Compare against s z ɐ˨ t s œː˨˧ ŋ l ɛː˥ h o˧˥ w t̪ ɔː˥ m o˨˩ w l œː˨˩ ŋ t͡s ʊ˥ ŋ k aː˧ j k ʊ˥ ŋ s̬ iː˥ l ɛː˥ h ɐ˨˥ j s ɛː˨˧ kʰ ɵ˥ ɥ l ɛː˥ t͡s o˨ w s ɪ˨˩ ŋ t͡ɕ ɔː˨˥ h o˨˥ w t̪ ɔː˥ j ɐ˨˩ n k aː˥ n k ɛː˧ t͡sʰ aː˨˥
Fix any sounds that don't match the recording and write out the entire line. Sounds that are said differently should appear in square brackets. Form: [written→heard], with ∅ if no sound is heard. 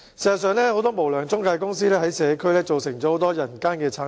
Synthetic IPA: s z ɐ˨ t s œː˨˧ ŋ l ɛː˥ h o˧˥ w t̪ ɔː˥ m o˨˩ w l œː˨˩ ŋ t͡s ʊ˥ ŋ k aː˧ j k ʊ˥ ŋ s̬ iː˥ l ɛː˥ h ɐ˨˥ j s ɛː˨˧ kʰ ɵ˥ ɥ l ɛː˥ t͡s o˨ w s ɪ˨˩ ŋ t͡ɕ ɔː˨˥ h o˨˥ w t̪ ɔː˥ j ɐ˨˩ n k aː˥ n k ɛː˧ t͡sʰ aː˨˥